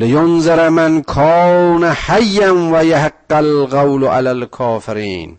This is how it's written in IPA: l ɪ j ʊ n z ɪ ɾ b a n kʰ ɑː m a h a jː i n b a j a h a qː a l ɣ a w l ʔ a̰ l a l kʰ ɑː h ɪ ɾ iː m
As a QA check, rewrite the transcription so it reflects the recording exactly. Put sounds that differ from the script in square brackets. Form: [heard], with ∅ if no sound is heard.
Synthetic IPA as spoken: l ɪ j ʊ n z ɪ ɾ [m] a n kʰ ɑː [n] a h a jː [a] n [w] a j a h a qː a l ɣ a w l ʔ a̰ l a l kʰ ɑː [f] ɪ ɾ iː [n]